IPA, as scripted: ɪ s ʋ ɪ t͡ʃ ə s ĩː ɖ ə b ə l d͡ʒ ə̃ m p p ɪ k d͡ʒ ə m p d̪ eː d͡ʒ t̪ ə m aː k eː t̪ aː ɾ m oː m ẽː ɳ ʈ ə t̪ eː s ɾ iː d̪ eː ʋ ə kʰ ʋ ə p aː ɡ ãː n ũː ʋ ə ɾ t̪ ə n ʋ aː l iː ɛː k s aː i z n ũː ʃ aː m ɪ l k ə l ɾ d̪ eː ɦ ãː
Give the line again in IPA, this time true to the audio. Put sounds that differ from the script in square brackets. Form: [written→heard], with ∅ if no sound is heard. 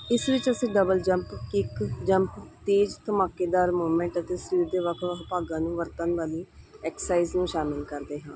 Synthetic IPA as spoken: ɪ s ʋ ɪ t͡ʃ ə s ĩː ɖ ə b ə l d͡ʒ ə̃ m p [p→k] ɪ k d͡ʒ ə m p [d̪→t̪] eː d͡ʒ t̪ ə m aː k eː [t̪→d̪] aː ɾ m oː m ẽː ɳ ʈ ə t̪ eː s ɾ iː d̪ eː ʋ ə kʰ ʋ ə p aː ɡ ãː n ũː ʋ ə ɾ t̪ ə n ʋ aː l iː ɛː k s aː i z n ũː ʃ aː m ɪ l k ə [l→∅] ɾ d̪ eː ɦ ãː